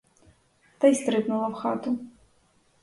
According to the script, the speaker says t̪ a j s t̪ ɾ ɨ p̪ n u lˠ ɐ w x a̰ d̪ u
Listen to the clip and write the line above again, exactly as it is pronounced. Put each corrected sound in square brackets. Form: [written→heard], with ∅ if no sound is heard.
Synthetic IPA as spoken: t̪ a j s t̪ ɾ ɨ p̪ n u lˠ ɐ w x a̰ [d̪→t̪] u